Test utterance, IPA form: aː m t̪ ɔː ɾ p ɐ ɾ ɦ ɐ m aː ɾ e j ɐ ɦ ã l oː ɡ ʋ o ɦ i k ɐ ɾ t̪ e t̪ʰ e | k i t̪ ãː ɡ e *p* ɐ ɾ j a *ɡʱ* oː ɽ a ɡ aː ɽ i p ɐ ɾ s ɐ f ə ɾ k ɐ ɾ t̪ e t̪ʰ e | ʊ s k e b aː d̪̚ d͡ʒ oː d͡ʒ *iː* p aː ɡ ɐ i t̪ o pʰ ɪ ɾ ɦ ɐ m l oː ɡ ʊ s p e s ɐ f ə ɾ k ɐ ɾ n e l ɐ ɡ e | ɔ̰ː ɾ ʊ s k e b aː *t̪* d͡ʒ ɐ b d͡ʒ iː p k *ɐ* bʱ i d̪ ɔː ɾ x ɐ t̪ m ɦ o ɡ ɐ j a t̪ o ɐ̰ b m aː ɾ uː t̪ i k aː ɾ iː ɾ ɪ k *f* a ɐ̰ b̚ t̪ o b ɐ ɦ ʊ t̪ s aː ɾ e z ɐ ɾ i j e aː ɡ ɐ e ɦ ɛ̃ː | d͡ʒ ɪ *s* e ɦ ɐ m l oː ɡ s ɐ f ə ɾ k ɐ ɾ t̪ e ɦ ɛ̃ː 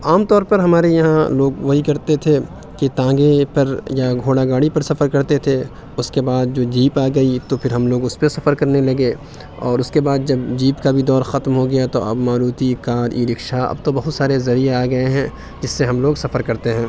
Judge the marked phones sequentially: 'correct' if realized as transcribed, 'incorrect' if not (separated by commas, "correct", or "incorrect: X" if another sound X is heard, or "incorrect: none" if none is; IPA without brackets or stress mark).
correct, correct, correct, incorrect: d̪, incorrect: a, incorrect: ʃ, incorrect: sː